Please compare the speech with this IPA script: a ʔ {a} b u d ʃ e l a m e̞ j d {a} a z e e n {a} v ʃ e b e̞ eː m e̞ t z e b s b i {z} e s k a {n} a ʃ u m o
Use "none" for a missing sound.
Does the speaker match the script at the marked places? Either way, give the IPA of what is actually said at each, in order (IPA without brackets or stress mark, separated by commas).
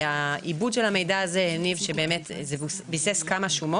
i, a, i, s, m